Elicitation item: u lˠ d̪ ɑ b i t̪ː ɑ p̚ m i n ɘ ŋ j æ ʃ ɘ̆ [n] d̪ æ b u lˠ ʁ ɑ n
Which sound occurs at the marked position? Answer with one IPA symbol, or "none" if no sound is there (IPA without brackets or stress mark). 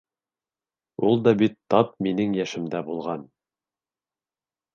m